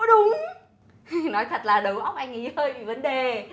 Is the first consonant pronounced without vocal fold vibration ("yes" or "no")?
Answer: no